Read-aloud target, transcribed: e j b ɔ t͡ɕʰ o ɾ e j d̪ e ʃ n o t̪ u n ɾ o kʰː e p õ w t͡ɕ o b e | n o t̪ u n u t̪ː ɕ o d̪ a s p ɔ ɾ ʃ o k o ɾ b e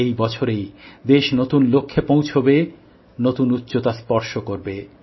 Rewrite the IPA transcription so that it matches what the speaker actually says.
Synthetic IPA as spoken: e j b ɔ t͡ɕʰ o ɾ e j d̪ e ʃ n o t̪ u n l o kʰː e p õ w t͡ɕʰ o b e | n o t̪ u n u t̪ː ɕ o t̪ a s p ɔ ɾ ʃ o k o ɾ b e